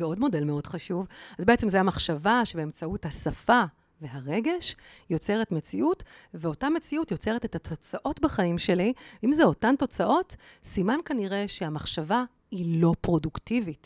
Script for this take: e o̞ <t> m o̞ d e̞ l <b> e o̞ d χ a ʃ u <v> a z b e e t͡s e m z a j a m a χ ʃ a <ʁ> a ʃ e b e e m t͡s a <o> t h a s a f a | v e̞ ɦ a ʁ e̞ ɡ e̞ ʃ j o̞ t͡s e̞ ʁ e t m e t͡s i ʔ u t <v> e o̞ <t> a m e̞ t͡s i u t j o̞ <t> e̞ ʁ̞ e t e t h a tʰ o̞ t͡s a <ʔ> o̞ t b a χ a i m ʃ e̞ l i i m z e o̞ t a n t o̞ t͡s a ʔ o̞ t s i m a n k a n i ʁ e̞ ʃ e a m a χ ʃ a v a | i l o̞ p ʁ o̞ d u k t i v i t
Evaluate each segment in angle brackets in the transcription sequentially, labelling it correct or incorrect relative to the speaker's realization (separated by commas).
incorrect, incorrect, correct, incorrect, incorrect, correct, correct, incorrect, correct